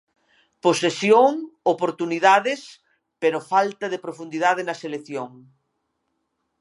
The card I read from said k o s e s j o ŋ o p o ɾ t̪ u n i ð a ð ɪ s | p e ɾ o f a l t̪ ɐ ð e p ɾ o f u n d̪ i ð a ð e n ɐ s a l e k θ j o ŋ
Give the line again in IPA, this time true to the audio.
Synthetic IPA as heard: p o s e s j o ŋ o p o ɾ t̪ u n i ð a ð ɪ s | p e ɾ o f a l t̪ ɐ ð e p ɾ o f u n d̪ i ð a ð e n ɐ s e l e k θ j o ŋ